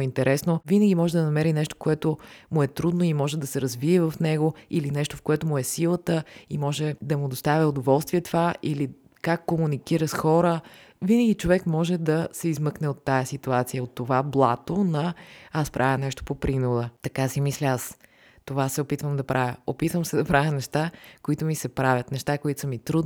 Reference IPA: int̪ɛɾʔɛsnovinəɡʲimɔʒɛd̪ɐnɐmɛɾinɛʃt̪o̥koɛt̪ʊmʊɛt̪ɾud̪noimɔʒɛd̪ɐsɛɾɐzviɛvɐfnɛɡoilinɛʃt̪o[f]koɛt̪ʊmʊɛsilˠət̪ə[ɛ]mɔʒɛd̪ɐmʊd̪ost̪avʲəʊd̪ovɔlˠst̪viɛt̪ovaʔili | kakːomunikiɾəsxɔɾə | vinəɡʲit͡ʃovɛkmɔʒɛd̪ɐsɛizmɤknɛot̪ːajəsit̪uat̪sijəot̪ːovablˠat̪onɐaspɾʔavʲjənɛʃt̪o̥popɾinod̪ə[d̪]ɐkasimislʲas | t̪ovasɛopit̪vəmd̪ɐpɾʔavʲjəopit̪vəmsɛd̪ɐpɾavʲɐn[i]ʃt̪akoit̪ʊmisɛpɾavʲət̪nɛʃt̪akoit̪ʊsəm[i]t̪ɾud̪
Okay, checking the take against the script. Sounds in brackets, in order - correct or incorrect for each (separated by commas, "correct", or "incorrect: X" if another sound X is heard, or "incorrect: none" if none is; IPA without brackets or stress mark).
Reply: correct, incorrect: i, incorrect: t̪, incorrect: ɛ, correct